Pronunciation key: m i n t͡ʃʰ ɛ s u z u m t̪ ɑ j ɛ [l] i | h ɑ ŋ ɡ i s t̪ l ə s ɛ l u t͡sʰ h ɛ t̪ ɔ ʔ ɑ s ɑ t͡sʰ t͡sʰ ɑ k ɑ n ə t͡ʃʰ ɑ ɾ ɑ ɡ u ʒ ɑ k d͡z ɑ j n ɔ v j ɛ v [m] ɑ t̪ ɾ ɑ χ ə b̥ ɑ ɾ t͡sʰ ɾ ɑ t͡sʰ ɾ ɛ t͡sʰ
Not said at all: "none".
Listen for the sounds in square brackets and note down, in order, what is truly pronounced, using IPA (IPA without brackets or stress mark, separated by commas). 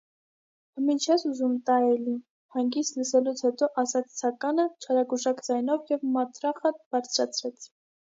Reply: l, m